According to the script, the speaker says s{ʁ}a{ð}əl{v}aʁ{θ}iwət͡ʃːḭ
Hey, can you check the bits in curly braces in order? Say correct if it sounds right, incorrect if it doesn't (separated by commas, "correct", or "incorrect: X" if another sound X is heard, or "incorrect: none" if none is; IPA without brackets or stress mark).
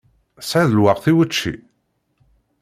incorrect: ʕ, correct, incorrect: w, correct